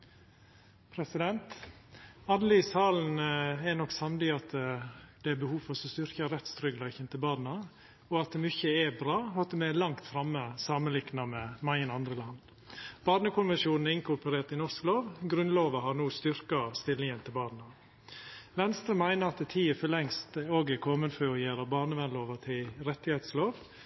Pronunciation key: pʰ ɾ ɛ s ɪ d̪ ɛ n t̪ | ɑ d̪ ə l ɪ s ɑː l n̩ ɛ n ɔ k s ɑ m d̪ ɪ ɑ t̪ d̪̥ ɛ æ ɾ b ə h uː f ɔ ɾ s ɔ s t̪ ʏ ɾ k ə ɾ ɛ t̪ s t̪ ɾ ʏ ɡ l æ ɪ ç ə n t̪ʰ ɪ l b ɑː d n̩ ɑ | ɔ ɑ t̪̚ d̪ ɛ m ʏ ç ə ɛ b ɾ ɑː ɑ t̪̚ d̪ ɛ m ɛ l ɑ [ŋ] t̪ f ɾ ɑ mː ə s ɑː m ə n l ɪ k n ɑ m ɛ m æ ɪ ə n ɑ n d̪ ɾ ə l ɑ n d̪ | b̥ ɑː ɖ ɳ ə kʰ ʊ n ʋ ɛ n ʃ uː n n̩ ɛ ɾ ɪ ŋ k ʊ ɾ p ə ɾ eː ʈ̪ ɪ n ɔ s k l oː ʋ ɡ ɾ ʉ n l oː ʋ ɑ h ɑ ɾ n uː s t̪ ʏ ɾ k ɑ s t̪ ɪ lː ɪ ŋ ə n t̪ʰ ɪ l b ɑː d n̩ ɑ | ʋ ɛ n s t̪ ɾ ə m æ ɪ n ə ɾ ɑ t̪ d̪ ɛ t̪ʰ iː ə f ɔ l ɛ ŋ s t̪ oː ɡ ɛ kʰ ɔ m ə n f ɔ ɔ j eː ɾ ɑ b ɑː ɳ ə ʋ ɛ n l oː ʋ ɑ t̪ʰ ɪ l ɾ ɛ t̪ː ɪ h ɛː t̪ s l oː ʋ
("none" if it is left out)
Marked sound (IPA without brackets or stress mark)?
ŋ